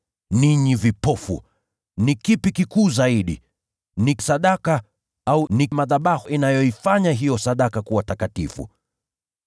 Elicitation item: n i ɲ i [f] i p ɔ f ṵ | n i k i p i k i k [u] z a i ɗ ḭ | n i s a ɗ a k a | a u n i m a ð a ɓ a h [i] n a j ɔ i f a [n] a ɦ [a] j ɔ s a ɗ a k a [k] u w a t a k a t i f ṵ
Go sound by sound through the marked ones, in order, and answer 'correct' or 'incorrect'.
incorrect: v, incorrect: uː, correct, incorrect: ɲ, incorrect: i, correct

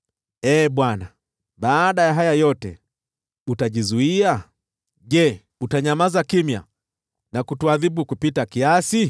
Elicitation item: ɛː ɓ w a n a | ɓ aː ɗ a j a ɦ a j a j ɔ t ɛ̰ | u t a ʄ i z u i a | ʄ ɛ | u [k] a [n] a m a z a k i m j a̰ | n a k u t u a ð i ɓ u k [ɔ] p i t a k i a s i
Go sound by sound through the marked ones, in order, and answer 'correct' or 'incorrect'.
incorrect: t, incorrect: ɲ, incorrect: u

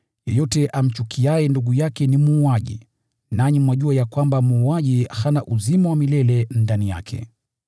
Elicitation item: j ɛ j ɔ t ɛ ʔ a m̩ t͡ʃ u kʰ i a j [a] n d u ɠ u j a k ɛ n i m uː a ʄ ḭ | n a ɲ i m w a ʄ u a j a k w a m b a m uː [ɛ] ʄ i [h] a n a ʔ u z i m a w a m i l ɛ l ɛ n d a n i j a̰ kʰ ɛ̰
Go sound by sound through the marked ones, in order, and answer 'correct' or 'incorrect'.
incorrect: ɛ, incorrect: a, correct

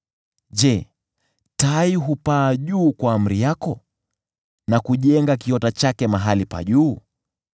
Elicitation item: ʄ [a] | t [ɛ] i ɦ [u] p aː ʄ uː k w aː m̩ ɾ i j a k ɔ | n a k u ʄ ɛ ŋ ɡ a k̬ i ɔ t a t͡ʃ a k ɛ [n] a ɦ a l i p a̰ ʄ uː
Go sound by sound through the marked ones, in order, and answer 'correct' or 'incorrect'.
incorrect: ɛ, incorrect: a, correct, incorrect: m

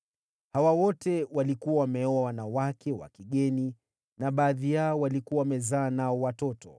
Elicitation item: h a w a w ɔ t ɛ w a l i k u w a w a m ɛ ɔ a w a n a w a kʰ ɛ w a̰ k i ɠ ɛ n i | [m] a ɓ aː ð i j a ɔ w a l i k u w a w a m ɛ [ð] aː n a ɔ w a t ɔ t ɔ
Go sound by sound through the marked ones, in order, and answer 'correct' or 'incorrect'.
incorrect: n, incorrect: z

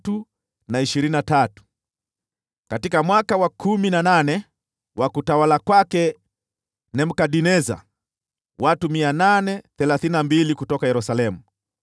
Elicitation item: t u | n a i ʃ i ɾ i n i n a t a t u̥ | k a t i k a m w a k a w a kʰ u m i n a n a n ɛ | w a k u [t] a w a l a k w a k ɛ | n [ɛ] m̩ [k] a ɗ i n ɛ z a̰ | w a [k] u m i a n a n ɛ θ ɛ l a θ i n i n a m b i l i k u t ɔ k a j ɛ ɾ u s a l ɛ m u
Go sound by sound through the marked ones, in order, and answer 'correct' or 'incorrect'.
correct, correct, correct, incorrect: t

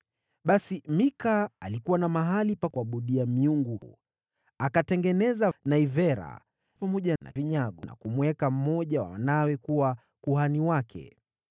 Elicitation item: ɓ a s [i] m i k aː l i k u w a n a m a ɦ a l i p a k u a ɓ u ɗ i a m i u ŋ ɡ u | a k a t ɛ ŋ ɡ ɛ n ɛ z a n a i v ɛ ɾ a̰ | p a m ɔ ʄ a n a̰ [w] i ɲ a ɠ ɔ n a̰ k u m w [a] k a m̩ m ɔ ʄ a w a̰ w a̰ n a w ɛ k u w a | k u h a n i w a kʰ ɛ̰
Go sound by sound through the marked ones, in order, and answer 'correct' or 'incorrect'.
correct, incorrect: v, incorrect: ɛ

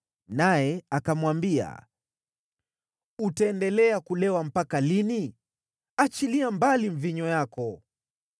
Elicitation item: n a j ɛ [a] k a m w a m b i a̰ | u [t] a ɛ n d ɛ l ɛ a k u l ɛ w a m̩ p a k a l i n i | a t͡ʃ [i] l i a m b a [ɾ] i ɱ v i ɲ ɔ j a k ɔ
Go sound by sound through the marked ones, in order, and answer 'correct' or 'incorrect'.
correct, correct, correct, incorrect: l

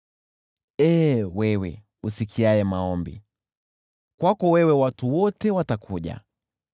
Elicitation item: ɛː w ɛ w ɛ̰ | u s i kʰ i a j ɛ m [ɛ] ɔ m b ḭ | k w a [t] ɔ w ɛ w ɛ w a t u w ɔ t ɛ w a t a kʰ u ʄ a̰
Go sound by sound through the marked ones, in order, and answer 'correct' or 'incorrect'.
incorrect: a, incorrect: k

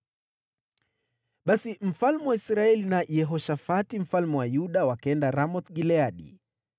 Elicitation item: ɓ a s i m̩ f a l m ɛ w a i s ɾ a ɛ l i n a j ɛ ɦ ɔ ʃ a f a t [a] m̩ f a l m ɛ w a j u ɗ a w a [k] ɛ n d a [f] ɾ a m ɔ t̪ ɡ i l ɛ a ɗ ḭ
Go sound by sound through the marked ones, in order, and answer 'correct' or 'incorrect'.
incorrect: i, correct, incorrect: none

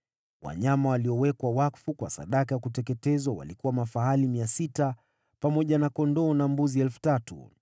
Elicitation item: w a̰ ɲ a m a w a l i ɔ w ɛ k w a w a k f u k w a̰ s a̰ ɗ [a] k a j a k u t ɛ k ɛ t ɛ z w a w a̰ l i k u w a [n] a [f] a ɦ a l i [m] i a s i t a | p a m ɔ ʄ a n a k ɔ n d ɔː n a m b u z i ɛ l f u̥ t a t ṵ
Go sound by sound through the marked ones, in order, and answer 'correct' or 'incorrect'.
correct, incorrect: m, correct, correct

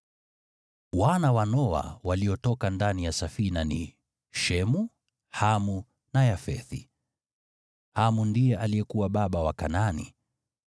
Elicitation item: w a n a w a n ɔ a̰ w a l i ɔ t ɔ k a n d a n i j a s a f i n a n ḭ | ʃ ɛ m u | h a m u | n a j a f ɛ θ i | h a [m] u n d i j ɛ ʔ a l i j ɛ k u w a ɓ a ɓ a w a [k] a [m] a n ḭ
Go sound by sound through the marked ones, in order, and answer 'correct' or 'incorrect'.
correct, correct, incorrect: n

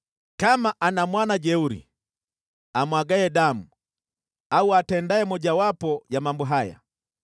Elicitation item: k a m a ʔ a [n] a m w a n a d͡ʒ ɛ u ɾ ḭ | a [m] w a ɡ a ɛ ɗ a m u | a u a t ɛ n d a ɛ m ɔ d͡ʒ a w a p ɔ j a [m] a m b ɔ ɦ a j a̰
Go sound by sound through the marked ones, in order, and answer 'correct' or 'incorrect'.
correct, correct, correct

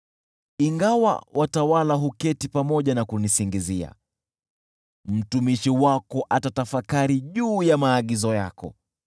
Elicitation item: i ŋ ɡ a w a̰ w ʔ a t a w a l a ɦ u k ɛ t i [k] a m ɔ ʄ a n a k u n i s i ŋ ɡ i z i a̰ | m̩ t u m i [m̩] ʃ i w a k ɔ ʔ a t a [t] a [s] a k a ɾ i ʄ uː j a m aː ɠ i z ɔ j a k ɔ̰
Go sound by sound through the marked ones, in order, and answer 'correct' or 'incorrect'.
incorrect: p, incorrect: none, correct, incorrect: f

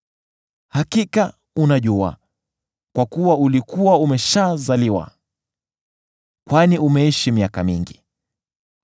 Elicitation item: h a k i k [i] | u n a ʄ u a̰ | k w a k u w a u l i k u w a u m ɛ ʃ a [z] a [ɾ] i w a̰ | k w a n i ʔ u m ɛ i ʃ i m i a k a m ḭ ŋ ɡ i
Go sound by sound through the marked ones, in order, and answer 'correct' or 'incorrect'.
incorrect: a, correct, incorrect: l

